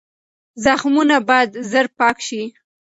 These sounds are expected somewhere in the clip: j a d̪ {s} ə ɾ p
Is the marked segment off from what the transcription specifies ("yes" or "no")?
yes